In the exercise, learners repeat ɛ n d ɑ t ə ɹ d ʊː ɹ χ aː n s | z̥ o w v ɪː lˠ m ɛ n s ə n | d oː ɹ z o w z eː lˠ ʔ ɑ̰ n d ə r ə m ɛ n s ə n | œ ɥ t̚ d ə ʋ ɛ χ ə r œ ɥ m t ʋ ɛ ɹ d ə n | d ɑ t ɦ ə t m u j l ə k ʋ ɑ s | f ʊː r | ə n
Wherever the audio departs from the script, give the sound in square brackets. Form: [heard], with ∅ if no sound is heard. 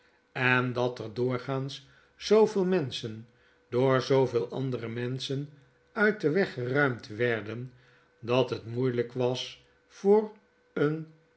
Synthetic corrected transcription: ɛ n d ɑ t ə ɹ d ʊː ɹ χ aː n s | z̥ o w v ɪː lˠ m ɛ n s ə n | d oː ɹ z o w [v] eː lˠ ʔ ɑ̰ n d ə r ə m ɛ n s ə n | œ ɥ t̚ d ə ʋ ɛ χ ə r œ ɥ m t ʋ ɛ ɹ d ə n | d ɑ t ɦ ə t m u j l ə k ʋ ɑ s | f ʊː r | ə n